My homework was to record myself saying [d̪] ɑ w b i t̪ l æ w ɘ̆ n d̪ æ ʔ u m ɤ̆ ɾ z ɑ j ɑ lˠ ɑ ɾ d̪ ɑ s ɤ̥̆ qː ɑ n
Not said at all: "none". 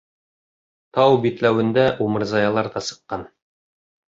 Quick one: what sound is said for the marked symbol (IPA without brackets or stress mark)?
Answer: t̪